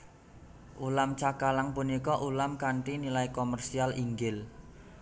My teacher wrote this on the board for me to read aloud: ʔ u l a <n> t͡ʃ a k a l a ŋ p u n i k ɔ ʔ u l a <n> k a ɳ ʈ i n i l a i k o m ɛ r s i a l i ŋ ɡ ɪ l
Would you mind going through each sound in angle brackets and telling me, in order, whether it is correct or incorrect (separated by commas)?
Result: incorrect, incorrect